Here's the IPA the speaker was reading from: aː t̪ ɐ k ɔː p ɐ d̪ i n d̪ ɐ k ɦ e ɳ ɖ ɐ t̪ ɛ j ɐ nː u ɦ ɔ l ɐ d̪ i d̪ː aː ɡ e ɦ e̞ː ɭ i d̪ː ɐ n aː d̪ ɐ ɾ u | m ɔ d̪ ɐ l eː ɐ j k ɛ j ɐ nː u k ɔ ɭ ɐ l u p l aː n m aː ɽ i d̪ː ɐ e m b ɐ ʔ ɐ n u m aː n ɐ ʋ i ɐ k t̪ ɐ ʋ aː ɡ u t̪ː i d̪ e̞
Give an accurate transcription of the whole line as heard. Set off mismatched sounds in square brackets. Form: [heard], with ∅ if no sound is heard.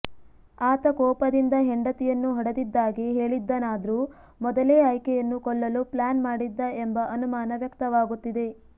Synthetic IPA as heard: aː t̪ ɐ k ɔː p ɐ d̪ i n d̪ ɐ [∅] ɦ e ɳ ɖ ɐ t̪ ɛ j ɐ nː u ɦ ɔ [ɽ] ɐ d̪ i d̪ː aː ɡ e ɦ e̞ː ɭ i d̪ː ɐ n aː d̪ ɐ ɾ u | m ɔ d̪ ɐ l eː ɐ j k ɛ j ɐ nː u k ɔ [ɭː] ɐ l u p l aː n m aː ɽ i d̪ː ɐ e m b ɐ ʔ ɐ n u m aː n ɐ ʋ [j] ɐ k t̪ ɐ ʋ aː ɡ u t̪ː i d̪ e̞